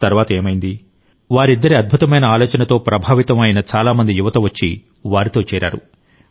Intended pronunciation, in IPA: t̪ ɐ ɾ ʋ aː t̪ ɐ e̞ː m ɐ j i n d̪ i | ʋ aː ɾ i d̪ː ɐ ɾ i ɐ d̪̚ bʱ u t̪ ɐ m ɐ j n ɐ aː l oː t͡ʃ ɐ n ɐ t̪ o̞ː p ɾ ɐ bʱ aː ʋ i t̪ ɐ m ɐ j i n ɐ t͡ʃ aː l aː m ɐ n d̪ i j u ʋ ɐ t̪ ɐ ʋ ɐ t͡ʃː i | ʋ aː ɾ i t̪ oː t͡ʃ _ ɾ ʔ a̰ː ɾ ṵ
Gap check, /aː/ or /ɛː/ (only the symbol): ɛː